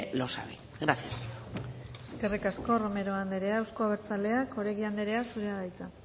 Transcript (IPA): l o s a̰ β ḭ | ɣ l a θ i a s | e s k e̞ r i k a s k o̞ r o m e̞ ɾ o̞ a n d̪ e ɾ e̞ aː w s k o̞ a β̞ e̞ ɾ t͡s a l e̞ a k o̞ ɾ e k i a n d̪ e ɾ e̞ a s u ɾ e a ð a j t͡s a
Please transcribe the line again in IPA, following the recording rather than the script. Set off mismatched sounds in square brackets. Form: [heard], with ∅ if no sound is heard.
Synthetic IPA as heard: l o s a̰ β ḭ | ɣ [ɾ] a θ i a s | e s k e̞ r i k a s k o̞ r o m e̞ ɾ o̞ a n d̪ e ɾ e̞ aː w s k o̞ a β̞ e̞ ɾ t͡s a l e̞ a k o̞ ɾ e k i a n d̪ e ɾ e̞ a s u ɾ e a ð a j t͡s a